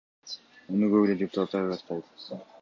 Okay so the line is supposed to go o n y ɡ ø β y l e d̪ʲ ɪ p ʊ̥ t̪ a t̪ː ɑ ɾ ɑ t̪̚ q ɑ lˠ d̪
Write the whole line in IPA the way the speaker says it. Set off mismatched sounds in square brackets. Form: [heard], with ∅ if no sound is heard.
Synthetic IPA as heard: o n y ɡ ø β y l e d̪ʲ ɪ p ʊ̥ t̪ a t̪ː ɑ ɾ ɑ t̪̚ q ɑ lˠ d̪